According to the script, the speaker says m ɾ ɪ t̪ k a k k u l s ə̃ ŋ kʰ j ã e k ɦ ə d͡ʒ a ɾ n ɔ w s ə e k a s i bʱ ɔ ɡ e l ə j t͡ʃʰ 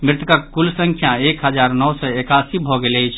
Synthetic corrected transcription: m ɾ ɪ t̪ k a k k u l s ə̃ ŋ kʰ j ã e k ɦ ə d͡ʒ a ɾ n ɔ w s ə e k a s i bʱ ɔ ɡ e l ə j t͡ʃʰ